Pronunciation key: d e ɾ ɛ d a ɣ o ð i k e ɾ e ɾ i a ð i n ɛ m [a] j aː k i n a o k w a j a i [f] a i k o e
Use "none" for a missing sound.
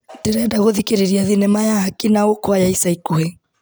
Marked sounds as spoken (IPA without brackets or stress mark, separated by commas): a, s